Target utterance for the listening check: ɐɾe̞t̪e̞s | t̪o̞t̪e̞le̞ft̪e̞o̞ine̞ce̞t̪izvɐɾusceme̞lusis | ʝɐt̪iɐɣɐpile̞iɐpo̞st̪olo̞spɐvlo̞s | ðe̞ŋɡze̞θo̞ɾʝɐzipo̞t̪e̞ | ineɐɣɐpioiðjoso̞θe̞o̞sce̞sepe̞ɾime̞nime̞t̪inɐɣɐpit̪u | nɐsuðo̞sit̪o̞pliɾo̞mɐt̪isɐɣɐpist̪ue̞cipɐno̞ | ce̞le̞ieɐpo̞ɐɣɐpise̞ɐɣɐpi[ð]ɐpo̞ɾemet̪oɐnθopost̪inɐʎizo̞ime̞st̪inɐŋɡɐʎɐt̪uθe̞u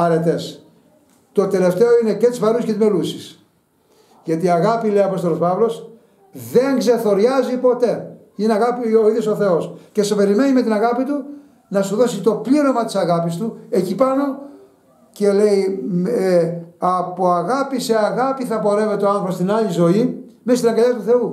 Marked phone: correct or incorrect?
incorrect